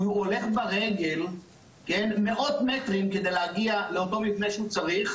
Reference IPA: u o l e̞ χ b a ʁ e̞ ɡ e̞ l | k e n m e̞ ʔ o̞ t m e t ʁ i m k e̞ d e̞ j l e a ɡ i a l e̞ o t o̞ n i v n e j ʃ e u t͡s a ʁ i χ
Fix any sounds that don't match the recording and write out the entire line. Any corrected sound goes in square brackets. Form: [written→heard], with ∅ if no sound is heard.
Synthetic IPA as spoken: u o l e̞ χ b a ʁ e̞ ɡ e̞ l | k e n m e̞ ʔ o̞ t m e t ʁ i m k e̞ d e̞ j l e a ɡ i a l e̞ o t o̞ [n→m] i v n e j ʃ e u t͡s a ʁ i χ